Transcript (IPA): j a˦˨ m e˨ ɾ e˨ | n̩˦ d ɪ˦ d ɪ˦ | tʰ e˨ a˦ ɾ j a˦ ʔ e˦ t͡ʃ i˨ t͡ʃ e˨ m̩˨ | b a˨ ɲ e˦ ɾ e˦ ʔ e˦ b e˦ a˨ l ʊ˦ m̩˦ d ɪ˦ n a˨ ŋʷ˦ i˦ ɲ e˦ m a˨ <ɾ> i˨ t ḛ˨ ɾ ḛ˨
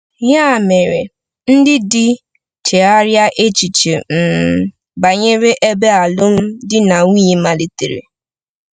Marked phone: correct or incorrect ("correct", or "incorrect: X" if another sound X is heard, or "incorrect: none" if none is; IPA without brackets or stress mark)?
incorrect: l